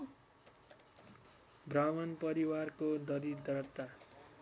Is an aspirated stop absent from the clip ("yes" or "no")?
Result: yes